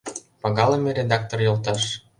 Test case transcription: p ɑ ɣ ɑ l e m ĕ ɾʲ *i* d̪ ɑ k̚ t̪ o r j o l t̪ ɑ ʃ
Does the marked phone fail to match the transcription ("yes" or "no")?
yes